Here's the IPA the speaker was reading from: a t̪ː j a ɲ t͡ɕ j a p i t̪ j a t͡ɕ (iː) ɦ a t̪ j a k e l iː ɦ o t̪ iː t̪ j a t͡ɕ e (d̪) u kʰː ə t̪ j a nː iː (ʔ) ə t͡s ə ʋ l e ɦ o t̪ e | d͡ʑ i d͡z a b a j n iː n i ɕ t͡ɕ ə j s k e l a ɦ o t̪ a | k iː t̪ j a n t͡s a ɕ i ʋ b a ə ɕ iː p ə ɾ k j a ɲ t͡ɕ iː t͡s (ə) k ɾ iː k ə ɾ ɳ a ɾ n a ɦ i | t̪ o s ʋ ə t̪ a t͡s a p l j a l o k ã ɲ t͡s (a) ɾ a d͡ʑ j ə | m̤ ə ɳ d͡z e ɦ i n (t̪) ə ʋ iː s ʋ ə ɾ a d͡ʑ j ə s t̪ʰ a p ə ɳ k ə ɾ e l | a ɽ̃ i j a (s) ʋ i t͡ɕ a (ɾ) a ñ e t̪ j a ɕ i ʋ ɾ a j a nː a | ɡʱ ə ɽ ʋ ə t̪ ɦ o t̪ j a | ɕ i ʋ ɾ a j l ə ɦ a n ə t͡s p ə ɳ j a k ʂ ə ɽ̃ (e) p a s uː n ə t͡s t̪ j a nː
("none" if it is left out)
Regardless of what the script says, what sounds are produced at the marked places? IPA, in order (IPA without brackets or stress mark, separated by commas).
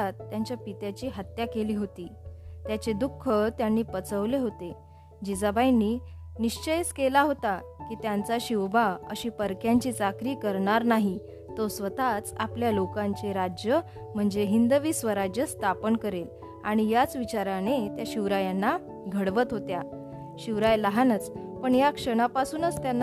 iː, d̪, p, a, e, d̪, t͡s, ɾ, a